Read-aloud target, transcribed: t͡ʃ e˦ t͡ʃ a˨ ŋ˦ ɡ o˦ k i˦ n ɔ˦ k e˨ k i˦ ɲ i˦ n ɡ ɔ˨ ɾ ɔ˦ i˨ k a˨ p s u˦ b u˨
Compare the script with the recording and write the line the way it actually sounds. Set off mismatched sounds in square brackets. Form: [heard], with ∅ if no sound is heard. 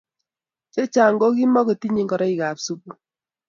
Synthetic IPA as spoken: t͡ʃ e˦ t͡ʃ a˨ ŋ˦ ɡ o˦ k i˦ [m] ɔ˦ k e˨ [t] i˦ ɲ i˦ [ŋ] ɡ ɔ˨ ɾ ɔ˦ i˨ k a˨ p s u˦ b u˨

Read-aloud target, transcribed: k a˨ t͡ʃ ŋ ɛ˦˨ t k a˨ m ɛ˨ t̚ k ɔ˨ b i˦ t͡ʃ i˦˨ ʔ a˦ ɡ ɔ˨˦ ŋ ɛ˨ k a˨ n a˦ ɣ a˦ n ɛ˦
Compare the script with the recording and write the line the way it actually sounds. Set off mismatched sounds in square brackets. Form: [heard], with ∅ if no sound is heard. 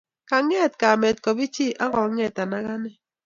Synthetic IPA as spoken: k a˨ [∅] ŋ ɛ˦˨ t k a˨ m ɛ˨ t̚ k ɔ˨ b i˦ t͡ʃ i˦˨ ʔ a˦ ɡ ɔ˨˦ ŋ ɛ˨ [t] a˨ n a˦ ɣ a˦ n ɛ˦

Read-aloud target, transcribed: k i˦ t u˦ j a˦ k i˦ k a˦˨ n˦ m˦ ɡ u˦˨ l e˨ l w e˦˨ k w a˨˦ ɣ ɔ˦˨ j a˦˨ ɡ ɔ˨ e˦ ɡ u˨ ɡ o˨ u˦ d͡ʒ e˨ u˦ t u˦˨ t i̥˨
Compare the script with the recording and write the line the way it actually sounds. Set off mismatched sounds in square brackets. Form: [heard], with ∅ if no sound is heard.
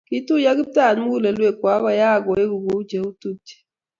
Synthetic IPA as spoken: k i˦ t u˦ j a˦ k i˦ [t] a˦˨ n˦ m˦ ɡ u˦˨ l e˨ l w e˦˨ k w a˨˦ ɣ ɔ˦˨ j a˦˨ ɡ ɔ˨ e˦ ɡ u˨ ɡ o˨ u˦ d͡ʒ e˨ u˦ t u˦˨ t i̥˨

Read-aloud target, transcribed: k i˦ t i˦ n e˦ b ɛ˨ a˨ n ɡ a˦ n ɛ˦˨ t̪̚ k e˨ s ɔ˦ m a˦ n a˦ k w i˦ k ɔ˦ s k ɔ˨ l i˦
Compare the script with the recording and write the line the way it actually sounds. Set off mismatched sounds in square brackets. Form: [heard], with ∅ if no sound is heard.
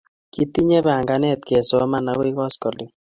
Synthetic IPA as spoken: k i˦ t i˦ [ɲ] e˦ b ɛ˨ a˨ [ŋ] ɡ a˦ n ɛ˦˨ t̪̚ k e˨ s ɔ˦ m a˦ n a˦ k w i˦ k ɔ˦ s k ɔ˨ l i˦

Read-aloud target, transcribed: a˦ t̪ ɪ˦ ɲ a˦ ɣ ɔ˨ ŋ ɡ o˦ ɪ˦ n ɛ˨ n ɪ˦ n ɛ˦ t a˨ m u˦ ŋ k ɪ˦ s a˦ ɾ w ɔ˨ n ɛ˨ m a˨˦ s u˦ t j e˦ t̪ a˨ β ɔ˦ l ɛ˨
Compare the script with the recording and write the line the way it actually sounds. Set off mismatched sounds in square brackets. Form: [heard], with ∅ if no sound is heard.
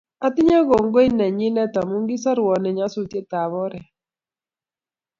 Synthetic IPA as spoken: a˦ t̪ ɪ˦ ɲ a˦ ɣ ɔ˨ ŋ ɡ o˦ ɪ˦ n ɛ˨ [ɲ] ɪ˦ n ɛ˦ t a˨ m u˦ ŋ [ɡ] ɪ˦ s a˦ ɾ w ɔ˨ n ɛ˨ [ɲ] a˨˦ s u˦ t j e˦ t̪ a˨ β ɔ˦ [ɾ] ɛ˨

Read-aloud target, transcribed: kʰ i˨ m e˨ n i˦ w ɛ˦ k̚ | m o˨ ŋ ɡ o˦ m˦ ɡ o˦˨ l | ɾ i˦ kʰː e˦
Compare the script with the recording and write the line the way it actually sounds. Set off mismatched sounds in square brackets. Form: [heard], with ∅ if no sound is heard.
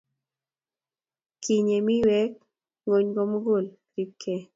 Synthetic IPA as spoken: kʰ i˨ [ɲ] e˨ [m] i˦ w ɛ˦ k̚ | [ŋ] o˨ [ɲ] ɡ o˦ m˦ ɡ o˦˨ l | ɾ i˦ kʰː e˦

